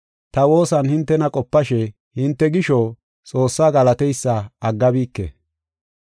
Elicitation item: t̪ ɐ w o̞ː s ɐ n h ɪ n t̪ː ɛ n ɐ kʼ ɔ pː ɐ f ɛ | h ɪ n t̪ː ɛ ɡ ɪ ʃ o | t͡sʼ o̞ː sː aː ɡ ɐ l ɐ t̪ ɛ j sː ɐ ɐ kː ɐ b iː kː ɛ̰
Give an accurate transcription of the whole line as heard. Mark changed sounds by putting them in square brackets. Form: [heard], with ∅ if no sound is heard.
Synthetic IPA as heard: t̪ ɐ w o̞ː s ɐ n h ɪ n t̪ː ɛ n ɐ kʼ ɔ pː ɐ [ʃ] ɛ | h ɪ n t̪ː ɛ ɡ ɪ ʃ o | t͡sʼ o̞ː sː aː ɡ ɐ l ɐ t̪ ɛ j sː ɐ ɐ [ɡː] ɐ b iː kː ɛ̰